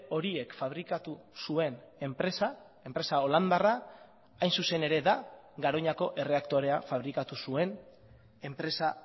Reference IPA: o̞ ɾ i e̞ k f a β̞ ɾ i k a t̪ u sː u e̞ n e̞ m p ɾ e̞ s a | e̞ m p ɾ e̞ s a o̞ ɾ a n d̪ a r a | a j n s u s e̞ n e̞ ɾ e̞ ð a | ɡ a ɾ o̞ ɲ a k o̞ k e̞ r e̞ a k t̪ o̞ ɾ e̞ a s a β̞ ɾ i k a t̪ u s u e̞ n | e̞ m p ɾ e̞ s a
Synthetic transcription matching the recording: o̞ ɾ i e̞ k f a β̞ ɾ i k a t̪ u s u e̞ n e̞ m p ɾ e̞ s a | e̞ m p ɾ e̞ s a o̞ l a n d̪ a r a | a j n s u s e̞ n e̞ ɾ e̞ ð a | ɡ a ɾ o̞ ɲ a k o̞ ʔ e̞ r e̞ a k t̪ o̞ ɾ e̞ a f a β̞ ɾ i k a t̪ u s u e̞ n | e̞ m p ɾ e̞ s a